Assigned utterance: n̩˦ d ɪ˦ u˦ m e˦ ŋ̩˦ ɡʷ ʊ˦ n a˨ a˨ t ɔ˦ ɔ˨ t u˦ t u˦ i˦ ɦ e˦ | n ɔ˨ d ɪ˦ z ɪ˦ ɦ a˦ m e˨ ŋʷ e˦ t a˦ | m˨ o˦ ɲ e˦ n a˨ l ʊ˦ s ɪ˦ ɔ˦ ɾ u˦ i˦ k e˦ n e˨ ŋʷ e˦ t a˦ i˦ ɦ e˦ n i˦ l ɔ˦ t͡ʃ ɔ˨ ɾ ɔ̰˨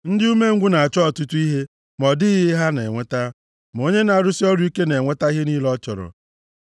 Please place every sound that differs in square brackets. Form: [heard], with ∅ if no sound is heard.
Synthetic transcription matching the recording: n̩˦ d ɪ˦ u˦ m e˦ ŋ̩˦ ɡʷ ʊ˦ n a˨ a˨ [t͡ʃ] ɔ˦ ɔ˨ t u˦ t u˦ i˦ ɦ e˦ | [m] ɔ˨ d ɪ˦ [ɣ] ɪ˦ ɦ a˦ [n] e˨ ŋʷ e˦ t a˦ | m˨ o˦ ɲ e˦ n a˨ [ɾ] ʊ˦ s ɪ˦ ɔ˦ ɾ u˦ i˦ k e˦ n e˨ ŋʷ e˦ t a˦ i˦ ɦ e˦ n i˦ l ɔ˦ t͡ʃ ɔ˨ ɾ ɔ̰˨